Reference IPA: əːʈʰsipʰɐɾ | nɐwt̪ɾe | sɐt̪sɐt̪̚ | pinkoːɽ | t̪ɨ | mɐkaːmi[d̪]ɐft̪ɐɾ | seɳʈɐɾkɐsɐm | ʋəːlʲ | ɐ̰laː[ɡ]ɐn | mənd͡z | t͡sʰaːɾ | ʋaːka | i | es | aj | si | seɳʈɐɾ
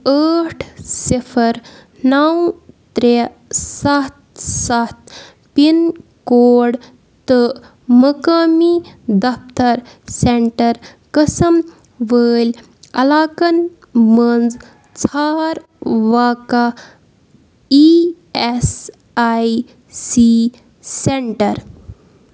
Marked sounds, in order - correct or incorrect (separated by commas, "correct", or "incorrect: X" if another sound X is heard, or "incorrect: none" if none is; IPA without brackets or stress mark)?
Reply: correct, incorrect: k